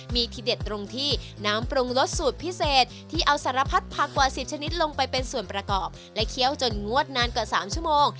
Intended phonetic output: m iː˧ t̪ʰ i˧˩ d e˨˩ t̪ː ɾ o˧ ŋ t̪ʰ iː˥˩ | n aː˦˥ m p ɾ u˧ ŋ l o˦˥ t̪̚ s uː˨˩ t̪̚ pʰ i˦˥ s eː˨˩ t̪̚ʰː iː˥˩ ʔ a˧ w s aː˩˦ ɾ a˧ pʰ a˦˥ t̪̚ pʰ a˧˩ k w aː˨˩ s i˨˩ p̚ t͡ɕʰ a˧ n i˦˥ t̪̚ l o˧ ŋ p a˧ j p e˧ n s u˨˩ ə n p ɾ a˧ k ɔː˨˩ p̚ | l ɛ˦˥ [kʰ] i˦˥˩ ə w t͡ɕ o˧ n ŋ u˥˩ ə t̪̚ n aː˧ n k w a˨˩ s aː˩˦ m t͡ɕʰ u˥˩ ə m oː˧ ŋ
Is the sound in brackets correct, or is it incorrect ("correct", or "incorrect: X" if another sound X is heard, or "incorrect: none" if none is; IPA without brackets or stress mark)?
correct